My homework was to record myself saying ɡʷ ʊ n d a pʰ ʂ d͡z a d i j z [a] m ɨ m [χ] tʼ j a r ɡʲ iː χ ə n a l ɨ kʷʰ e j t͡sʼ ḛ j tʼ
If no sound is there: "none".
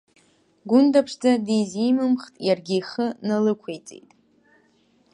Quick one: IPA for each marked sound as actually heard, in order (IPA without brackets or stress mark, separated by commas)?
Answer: i, χ